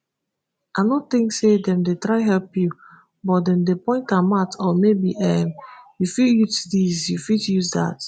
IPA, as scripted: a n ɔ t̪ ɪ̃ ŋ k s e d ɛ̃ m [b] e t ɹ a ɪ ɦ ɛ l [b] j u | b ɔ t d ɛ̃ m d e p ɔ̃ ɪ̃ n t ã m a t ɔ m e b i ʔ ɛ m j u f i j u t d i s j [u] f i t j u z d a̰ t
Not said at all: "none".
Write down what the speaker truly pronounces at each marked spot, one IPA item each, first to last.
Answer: d, p, u

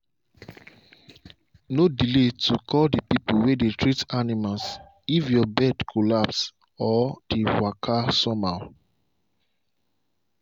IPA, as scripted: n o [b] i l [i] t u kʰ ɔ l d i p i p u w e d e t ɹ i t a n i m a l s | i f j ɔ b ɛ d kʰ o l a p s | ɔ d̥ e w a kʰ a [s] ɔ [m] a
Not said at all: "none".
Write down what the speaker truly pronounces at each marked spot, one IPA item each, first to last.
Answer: d, e, s, m

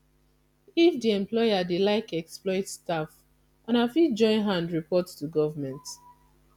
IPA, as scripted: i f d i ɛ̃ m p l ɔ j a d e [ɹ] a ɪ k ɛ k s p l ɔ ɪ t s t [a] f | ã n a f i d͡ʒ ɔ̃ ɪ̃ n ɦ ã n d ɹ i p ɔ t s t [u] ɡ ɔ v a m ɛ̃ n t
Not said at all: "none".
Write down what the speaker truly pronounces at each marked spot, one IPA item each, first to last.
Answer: l, a, u

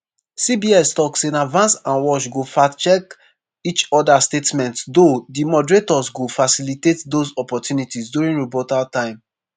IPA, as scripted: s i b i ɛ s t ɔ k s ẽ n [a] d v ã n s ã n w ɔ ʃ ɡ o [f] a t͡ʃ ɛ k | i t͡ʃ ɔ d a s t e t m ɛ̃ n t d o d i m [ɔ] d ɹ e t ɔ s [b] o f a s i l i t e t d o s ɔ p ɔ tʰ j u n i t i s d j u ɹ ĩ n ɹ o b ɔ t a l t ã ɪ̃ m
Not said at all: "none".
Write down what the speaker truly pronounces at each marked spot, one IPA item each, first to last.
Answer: a, f, ɔ, ɡ

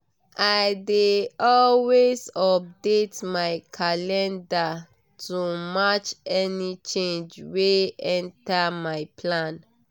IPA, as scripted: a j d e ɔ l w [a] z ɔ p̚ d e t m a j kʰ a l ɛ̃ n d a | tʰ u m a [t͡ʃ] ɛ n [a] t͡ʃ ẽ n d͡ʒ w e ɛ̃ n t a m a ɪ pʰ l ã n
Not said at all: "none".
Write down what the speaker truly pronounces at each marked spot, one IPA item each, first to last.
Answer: e, t͡ʃ, i

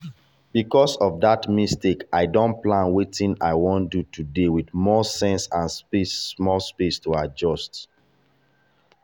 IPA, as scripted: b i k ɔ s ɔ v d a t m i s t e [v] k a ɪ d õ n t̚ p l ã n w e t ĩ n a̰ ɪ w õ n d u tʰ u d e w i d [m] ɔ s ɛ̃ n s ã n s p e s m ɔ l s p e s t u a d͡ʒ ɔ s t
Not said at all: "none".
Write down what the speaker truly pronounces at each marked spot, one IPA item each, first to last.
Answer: none, m

